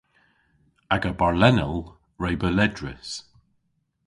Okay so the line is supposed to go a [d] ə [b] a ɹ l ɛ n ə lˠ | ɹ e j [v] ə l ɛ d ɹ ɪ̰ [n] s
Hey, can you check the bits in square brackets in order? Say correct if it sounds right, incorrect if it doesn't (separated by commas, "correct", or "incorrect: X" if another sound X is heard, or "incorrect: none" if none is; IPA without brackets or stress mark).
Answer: incorrect: ɡ, correct, incorrect: b, incorrect: none